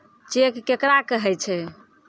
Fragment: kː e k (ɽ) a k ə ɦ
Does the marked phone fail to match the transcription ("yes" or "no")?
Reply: yes